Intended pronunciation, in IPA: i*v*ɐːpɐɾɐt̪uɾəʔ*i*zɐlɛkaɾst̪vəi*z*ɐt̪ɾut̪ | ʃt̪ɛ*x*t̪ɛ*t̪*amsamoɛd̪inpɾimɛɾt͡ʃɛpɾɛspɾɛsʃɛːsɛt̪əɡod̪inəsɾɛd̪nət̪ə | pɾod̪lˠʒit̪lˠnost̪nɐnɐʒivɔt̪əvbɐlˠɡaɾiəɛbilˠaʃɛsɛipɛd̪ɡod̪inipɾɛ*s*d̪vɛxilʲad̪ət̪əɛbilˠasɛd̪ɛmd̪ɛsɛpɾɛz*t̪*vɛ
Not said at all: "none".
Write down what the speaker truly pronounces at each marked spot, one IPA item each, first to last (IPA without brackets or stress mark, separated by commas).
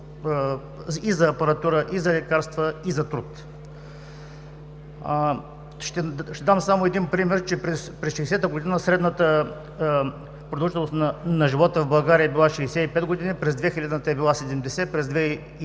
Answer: z, i, z, ʃ, d̪, z, d̪